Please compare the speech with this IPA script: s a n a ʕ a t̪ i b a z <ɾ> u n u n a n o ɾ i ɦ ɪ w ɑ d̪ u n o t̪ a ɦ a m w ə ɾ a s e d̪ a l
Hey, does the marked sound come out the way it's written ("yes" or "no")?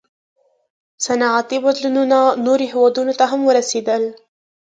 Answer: no